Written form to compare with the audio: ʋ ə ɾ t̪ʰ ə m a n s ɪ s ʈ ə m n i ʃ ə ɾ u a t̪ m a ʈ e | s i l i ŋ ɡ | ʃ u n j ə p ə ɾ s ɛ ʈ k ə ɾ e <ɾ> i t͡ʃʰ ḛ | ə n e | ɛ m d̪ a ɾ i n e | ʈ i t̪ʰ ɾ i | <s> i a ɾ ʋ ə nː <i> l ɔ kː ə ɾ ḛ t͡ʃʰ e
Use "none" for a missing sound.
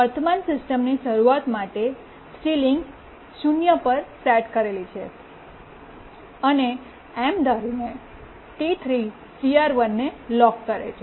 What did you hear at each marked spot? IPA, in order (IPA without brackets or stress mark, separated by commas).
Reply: l, s, e